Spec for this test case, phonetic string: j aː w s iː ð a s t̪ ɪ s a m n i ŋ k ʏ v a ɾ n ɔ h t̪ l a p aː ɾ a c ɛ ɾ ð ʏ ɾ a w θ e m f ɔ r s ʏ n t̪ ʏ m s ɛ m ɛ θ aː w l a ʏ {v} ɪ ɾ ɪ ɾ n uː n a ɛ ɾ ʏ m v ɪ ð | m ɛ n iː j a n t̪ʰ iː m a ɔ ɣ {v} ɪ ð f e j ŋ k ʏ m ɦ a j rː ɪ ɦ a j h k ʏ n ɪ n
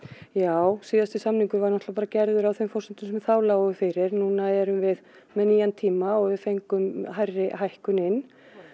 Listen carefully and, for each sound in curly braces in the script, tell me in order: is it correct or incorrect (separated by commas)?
incorrect, correct